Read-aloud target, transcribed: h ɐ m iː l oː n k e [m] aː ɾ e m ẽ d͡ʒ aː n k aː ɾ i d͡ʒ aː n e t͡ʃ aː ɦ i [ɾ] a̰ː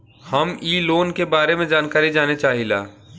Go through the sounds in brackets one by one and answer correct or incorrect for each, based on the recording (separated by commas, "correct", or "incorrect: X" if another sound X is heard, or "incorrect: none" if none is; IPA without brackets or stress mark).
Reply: incorrect: b, incorrect: l